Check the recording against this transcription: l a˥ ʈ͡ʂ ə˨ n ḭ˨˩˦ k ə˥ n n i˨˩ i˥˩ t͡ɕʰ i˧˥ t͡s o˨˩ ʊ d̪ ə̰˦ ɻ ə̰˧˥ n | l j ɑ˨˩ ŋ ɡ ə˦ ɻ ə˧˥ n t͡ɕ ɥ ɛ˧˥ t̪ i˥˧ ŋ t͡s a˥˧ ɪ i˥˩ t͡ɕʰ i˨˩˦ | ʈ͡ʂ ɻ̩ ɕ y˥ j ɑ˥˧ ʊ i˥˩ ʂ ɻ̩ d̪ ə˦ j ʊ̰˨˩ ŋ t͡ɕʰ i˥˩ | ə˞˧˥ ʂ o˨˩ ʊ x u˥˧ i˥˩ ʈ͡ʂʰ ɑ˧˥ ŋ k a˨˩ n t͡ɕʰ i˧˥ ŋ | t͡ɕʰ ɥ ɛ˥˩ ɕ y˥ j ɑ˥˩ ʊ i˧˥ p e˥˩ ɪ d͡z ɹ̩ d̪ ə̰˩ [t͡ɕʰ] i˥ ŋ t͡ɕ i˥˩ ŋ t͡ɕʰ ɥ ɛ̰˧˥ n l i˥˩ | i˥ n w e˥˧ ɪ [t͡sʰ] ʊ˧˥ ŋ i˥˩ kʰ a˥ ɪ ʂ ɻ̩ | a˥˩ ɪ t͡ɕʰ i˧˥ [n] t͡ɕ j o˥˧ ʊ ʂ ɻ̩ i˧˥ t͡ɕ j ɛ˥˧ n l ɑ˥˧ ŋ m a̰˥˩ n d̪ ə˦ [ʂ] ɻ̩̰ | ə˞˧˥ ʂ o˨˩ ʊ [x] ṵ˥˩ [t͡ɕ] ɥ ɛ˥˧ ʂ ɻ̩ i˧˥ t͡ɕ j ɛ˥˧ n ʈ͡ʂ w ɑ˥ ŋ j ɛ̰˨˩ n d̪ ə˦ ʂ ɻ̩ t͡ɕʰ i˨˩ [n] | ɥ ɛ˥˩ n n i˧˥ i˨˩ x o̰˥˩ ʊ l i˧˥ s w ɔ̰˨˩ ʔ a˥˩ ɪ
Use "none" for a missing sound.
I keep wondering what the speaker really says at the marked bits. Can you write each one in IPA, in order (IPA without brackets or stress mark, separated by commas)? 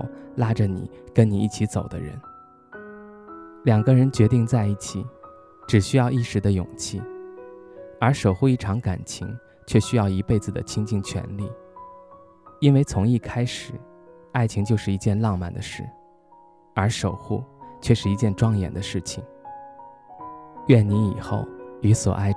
t͡ɕʰ, t͡sʰ, ŋ, ʂ, x, t͡ɕʰ, ŋ